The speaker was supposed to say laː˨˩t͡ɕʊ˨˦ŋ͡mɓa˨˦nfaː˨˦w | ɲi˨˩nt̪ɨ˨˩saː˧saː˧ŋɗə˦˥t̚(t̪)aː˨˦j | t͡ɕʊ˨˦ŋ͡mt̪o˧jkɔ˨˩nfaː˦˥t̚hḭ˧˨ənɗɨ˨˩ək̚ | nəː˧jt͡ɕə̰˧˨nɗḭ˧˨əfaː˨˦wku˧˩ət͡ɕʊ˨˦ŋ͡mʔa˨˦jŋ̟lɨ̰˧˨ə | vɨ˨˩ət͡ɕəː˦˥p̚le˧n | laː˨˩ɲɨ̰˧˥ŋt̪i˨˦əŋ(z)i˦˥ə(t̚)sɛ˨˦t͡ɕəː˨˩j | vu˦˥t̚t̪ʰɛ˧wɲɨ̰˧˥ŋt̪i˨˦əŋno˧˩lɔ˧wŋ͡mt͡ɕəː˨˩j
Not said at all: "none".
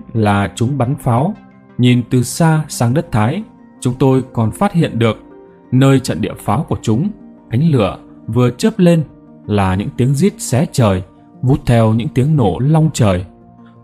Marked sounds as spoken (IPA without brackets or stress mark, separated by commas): t̪ʰ, z, t̚